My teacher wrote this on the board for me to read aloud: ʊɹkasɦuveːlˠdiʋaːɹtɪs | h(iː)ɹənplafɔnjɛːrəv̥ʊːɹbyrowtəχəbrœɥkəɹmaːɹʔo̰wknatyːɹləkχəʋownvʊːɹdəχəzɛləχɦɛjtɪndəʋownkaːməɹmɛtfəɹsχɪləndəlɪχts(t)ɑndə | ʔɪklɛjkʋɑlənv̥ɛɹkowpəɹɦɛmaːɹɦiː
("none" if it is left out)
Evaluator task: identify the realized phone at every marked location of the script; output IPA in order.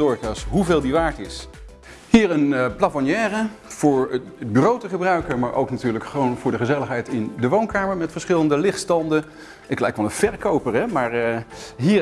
iː, t

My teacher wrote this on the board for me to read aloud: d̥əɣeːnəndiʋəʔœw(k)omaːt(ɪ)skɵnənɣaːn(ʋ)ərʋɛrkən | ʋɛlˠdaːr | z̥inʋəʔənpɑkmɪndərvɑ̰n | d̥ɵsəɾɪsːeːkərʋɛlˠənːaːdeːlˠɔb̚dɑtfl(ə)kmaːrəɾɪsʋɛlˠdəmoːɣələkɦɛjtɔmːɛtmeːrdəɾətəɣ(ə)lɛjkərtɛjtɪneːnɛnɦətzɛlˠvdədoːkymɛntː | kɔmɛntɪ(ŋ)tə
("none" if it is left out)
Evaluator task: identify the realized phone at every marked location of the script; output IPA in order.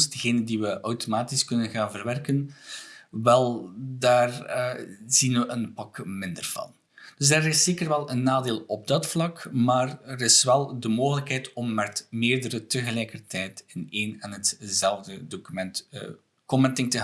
t, i, v, ɑ, ə, ŋ

